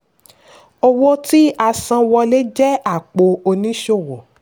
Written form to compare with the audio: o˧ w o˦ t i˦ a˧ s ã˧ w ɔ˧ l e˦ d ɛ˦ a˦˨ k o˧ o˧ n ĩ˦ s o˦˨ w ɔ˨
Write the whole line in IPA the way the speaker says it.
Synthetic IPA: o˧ w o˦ t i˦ a˧ s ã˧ w ɔ˧ l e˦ d͡ʒ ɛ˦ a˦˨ k͡p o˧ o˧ n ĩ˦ ʃ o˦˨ w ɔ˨